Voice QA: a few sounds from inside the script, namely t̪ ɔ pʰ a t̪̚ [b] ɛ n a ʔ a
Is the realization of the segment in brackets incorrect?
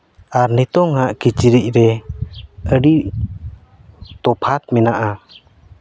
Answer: yes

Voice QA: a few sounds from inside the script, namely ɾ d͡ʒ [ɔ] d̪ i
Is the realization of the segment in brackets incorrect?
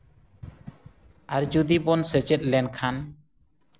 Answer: yes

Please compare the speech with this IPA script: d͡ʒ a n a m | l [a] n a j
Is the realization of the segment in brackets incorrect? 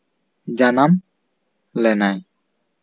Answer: yes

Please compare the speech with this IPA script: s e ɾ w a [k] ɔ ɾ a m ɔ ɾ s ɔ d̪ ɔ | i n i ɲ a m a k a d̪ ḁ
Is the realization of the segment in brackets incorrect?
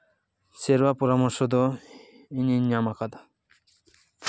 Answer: yes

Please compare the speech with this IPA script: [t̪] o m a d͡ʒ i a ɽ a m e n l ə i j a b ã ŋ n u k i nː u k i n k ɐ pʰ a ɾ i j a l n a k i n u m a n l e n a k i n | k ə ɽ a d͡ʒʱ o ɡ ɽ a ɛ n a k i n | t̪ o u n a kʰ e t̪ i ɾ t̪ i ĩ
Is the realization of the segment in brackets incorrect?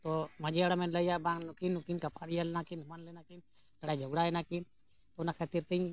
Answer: no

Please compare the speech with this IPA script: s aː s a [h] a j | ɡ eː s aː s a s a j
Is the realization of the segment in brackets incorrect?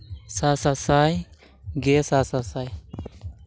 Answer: yes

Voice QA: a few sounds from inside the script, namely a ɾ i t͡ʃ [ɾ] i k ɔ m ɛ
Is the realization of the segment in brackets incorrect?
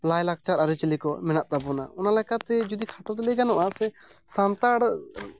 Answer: yes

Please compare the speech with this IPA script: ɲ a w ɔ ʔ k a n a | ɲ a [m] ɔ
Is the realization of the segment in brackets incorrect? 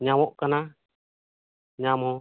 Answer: no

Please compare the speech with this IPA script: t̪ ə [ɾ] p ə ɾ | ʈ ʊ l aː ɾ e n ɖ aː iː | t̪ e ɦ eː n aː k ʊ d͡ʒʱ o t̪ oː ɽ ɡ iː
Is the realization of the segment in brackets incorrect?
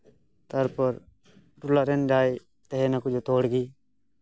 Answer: no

